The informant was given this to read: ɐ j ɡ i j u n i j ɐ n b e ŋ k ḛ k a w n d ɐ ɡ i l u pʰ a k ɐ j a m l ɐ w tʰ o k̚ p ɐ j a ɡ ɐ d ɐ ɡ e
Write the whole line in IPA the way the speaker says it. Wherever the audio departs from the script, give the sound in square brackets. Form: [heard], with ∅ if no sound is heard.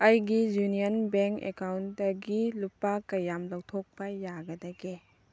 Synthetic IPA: ɐ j ɡ i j u n i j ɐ n b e ŋ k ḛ k a w n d ɐ ɡ i l u [p] a k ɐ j a m l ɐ w tʰ o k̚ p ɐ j a ɡ ɐ d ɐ ɡ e